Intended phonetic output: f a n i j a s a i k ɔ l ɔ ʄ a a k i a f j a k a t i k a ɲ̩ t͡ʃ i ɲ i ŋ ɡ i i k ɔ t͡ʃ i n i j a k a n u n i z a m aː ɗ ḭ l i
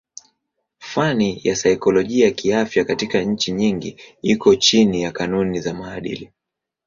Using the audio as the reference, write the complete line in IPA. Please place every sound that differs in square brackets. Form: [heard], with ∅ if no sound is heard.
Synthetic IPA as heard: f a n i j a s a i k ɔ l ɔ ʄ [i] a k i a f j a k a t i k a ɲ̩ t͡ʃ i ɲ i ŋ ɡ i i k ɔ t͡ʃ i n i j a k a n u n i z a m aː ɗ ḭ l i